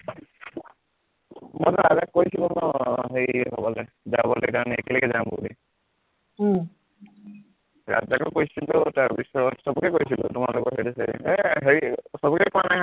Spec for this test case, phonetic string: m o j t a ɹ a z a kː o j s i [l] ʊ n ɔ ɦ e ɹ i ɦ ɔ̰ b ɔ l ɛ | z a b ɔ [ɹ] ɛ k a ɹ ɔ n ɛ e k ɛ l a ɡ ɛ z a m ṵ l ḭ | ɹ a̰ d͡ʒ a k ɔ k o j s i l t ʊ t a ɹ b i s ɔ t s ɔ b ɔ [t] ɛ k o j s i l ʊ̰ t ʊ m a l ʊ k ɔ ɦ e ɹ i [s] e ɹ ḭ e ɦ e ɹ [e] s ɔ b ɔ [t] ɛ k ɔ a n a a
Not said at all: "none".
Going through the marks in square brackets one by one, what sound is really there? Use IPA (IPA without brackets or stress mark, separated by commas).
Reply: l, l, k, s, i, k